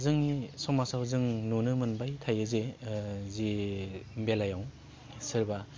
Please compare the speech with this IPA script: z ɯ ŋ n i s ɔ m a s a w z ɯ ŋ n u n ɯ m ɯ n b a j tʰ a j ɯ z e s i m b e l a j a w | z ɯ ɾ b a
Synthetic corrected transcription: z ɯ ŋ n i s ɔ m a s a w z ɯ ŋ n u n ɯ m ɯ n b a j tʰ a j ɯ z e z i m b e l a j a w | s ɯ ɾ b a